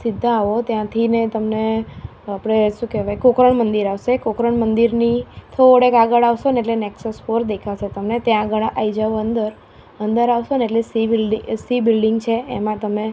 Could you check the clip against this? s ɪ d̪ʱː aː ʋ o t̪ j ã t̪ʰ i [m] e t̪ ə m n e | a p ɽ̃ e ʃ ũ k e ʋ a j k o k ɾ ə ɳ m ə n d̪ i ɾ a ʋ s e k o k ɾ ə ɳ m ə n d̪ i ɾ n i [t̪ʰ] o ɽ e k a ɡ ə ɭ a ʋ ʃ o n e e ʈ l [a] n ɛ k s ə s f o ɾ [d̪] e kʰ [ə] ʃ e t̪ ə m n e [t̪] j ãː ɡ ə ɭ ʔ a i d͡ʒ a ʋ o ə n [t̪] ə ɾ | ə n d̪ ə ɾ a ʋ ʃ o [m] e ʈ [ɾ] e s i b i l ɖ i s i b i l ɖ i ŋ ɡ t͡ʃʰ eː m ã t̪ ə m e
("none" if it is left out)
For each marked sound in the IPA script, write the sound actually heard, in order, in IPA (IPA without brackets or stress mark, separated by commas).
n, t̪ʰ, e, d̪, a, t̪, d̪, n, l